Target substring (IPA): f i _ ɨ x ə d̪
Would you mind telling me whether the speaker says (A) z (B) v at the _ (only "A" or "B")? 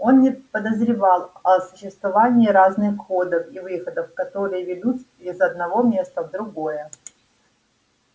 B